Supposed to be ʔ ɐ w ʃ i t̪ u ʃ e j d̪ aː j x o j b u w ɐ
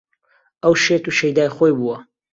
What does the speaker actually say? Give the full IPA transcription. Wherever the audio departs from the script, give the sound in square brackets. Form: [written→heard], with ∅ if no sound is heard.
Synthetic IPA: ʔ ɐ w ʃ [i→e] t̪ u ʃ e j d̪ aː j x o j b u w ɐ